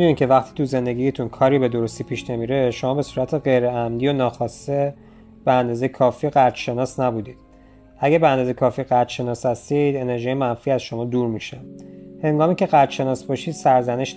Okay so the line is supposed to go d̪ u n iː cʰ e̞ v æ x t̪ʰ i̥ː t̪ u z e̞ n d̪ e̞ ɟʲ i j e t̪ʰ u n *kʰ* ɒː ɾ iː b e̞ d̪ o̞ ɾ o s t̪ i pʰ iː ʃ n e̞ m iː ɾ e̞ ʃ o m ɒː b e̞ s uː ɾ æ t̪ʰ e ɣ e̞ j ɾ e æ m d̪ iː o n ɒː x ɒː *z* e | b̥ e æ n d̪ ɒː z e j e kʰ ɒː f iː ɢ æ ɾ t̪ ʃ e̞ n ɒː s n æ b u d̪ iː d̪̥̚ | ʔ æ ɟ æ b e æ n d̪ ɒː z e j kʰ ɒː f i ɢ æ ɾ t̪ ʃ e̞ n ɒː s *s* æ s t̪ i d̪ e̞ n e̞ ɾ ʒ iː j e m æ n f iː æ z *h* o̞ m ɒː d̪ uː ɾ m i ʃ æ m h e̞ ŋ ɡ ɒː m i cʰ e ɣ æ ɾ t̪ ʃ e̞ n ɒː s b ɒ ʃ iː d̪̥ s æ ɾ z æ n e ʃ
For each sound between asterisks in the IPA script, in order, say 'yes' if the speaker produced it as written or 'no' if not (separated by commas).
yes, no, no, no